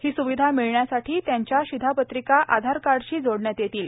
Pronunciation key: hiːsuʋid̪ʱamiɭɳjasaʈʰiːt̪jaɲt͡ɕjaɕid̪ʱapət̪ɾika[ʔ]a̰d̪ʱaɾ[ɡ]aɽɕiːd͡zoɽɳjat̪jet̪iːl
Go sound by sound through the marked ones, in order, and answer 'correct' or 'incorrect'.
correct, incorrect

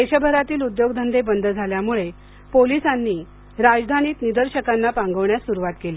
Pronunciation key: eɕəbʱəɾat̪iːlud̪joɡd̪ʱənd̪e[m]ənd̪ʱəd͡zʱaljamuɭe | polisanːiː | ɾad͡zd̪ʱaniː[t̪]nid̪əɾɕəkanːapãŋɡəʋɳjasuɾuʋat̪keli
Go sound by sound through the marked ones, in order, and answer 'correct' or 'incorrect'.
incorrect, correct

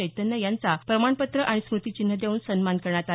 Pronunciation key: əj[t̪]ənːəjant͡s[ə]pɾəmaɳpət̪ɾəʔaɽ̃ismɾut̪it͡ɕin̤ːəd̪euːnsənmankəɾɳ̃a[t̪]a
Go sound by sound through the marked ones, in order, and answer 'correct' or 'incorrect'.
correct, incorrect, correct

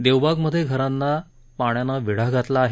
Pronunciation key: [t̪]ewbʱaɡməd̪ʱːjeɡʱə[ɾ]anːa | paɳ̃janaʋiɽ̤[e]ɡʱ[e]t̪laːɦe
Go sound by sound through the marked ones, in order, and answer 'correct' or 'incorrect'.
incorrect, correct, incorrect, incorrect

